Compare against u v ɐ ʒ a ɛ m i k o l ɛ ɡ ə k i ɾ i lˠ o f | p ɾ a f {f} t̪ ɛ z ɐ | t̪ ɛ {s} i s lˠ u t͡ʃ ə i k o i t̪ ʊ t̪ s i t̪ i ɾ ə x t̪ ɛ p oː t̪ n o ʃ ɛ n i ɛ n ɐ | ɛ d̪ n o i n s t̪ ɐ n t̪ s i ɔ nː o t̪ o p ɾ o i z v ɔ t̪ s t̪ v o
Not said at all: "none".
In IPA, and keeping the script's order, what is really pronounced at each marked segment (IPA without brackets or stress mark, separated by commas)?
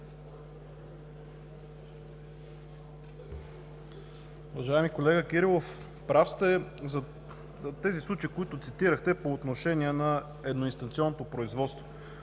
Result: s, z